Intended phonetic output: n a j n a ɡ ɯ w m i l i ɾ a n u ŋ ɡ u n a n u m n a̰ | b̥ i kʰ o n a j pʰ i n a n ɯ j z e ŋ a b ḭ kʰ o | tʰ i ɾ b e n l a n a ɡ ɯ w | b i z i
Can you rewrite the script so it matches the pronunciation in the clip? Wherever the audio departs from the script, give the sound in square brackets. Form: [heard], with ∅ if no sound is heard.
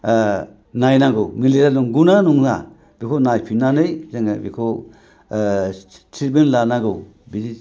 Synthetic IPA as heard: n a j n a ɡ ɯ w m i l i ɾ a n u ŋ ɡ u n a n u [ŋ] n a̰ | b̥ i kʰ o n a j pʰ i n a n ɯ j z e ŋ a b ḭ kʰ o | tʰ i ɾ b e n l a n a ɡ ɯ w | b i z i